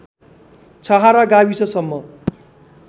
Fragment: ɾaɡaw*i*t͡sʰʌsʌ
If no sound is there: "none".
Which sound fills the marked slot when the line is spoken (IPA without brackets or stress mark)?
i